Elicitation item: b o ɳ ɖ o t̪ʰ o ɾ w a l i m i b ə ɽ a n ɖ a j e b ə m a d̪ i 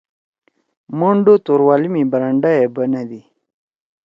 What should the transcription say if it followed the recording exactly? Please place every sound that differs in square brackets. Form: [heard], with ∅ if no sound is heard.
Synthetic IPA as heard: [m] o ɳ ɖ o [t̪] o ɾ w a l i m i b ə [ɾ] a [ɳ] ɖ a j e b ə [n] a d̪ i